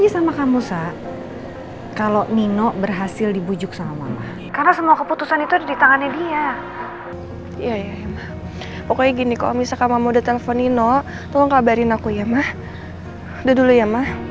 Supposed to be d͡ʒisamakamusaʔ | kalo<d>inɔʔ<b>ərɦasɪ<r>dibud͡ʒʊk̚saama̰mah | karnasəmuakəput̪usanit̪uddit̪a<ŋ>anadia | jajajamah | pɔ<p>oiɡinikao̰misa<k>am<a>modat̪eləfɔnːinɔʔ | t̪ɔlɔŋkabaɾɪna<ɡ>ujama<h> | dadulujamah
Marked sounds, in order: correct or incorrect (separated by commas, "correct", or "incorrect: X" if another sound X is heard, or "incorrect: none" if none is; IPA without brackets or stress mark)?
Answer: incorrect: n, correct, incorrect: l, correct, incorrect: k, correct, correct, incorrect: k, correct